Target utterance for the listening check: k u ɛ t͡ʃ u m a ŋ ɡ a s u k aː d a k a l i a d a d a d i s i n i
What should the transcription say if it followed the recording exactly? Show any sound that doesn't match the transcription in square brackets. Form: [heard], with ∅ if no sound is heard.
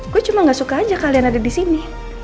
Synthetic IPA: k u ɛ t͡ʃ u m a ŋ ɡ a s u k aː [d͡ʒ] a k a l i a [n] a d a d i s i n i